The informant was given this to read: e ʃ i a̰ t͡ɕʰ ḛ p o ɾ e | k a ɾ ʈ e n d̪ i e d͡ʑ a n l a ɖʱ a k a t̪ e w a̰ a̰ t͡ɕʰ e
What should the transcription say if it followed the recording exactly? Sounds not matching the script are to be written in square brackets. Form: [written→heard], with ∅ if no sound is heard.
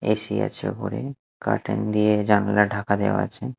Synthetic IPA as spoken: e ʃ i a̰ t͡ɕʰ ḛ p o ɾ e | k a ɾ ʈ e n d̪ i e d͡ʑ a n l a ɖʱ a k a [t̪→d̪] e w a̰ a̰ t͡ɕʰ e